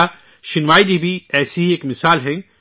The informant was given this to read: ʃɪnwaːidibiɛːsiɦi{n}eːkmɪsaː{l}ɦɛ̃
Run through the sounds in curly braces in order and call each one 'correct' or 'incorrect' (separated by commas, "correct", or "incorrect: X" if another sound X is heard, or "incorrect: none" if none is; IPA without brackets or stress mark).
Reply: incorrect: none, correct